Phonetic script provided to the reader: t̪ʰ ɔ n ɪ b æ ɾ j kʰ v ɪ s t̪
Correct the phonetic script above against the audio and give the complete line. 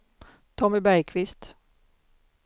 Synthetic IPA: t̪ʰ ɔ m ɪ b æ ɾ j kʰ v ɪ s t̪